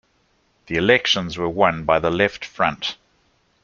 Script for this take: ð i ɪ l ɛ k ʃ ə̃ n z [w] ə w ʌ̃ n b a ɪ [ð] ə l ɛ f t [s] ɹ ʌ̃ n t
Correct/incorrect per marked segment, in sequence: correct, correct, incorrect

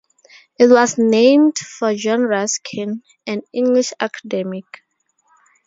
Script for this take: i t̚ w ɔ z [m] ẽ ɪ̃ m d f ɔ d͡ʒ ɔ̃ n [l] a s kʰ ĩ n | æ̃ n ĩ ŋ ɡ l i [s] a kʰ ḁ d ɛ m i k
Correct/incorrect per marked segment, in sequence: incorrect, incorrect, incorrect

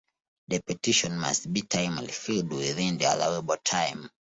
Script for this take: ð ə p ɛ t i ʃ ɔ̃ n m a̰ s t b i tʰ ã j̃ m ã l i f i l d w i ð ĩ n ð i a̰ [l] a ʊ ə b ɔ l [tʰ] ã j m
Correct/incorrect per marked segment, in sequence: correct, correct

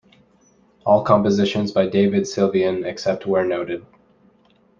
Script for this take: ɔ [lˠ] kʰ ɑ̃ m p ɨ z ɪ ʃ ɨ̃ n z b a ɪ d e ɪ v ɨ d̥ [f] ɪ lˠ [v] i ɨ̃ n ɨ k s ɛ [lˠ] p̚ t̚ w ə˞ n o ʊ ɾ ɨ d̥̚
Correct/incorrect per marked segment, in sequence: correct, incorrect, correct, incorrect

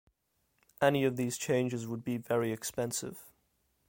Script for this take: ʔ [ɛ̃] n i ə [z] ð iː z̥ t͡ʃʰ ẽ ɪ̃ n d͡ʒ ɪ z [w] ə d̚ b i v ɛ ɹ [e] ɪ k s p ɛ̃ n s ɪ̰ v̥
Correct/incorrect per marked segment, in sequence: incorrect, incorrect, correct, incorrect

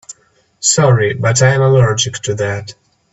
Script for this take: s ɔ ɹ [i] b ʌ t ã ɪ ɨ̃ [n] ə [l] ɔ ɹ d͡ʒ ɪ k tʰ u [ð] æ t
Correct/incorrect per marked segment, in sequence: correct, incorrect, correct, correct

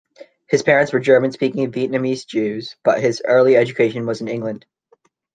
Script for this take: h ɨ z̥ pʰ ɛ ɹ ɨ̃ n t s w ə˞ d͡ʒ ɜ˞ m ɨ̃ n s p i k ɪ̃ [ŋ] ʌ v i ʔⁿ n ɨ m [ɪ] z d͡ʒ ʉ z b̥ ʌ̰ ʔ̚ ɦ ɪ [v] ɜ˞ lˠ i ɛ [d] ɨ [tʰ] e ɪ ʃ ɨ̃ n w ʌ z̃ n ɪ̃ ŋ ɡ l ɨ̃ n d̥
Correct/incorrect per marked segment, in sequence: correct, incorrect, incorrect, incorrect, incorrect

